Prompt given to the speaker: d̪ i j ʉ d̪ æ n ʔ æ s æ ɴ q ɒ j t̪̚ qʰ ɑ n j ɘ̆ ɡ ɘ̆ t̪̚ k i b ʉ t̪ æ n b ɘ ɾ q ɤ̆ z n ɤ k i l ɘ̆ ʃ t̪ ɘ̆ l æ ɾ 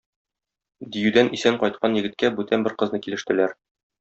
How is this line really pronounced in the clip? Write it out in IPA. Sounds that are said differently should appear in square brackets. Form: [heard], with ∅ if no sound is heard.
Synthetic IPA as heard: d̪ i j ʉ d̪ æ n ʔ [i] s æ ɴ q ɒ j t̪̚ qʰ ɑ n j ɘ̆ ɡ ɘ̆ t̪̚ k [æ] b ʉ t̪ æ n b ɘ ɾ q ɤ̆ z n ɤ k i l ɘ̆ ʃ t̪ ɘ̆ l æ ɾ